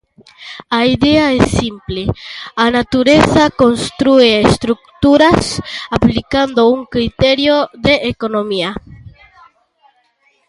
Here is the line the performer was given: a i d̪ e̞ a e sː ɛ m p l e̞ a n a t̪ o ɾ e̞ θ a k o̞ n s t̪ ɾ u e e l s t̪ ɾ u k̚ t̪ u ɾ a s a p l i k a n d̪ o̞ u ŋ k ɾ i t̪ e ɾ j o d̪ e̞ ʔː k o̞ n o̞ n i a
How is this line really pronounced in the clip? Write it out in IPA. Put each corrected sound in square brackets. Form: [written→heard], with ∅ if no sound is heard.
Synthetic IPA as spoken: a i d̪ e̞ a e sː [ɛ→i] m p l e̞ a n a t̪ [o→u] ɾ e̞ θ a k o̞ n s t̪ ɾ u e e [l→∅] s t̪ ɾ u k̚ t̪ u ɾ a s a p l i k a n d̪ o̞ u ŋ k ɾ i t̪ e ɾ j o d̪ e̞ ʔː k o̞ n o̞ [n→m] i a